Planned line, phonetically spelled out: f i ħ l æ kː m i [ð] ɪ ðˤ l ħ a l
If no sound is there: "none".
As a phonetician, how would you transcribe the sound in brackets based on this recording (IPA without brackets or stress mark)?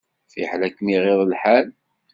ʁ